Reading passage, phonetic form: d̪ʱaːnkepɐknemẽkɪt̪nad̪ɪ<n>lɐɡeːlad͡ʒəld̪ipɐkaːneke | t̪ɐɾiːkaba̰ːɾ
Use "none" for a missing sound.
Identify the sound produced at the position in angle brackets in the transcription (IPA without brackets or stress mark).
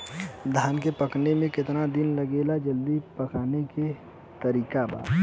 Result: n